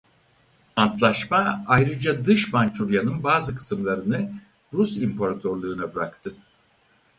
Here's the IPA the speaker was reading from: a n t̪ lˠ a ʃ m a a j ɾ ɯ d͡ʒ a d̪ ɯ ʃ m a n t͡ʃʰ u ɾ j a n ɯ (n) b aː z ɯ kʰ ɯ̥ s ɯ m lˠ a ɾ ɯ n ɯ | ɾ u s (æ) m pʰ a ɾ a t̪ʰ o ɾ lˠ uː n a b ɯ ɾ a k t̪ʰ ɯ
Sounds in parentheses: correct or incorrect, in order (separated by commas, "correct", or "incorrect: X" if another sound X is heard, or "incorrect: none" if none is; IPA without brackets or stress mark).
correct, incorrect: i